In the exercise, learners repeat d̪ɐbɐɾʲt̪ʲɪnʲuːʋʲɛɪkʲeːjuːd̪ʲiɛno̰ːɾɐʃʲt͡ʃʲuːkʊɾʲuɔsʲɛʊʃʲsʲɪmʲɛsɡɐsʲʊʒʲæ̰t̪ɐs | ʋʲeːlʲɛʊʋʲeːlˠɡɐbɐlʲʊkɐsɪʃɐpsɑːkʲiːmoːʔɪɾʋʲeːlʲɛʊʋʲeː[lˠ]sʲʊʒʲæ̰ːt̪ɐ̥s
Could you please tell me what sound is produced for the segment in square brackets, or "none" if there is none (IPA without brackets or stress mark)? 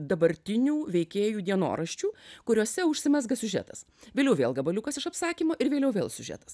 lˠ